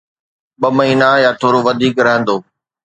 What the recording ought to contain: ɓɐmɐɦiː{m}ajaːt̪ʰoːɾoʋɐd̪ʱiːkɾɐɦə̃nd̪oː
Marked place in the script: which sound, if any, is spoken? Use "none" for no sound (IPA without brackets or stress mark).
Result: n